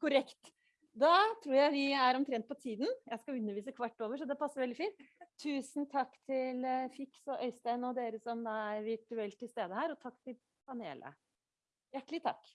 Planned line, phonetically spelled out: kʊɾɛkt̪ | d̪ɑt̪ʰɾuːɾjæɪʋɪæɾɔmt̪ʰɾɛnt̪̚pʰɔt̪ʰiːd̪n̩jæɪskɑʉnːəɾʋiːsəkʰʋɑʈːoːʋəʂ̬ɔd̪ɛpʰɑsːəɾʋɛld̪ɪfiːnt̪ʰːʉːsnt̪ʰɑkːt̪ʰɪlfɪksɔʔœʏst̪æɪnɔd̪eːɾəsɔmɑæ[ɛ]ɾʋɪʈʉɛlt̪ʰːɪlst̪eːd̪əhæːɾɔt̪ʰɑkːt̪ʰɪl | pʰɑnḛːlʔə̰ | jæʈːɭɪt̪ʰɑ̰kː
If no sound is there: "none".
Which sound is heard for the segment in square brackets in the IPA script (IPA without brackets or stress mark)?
æ